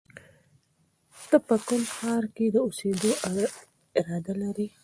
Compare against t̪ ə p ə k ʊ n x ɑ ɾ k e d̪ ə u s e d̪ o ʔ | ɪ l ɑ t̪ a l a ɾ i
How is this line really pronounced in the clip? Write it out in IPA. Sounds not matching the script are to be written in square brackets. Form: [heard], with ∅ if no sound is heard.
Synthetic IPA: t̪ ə p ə k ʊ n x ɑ ɾ k e d̪ ə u s e d̪ o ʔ | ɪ [ɾ] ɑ [d̪] a l a ɾ i